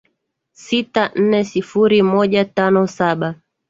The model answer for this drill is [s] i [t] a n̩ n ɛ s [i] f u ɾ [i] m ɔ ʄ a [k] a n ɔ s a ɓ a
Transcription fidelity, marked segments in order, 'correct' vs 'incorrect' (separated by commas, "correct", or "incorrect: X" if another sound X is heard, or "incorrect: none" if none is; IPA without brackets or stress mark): correct, correct, correct, correct, incorrect: t